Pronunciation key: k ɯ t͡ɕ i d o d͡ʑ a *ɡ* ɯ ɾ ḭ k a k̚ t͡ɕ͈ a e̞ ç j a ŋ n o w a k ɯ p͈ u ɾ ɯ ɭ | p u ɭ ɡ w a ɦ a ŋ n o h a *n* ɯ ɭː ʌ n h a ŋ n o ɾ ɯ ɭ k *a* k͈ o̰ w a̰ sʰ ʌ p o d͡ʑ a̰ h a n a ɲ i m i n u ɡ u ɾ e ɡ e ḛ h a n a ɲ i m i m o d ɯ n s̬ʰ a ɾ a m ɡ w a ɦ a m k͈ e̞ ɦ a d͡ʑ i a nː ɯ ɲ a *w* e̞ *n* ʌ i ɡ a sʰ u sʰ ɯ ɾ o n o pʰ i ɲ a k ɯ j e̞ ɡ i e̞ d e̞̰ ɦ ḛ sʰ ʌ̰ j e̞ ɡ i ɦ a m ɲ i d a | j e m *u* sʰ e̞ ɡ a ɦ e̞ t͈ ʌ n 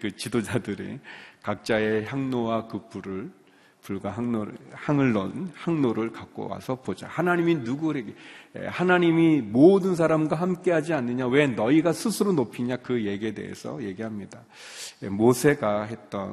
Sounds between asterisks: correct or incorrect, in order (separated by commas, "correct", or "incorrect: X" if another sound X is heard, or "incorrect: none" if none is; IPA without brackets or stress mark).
incorrect: d, incorrect: ŋ, correct, correct, correct, incorrect: o